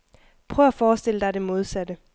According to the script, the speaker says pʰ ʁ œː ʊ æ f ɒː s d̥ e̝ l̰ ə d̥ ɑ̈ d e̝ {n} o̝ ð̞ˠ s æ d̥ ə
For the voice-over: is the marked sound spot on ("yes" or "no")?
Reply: no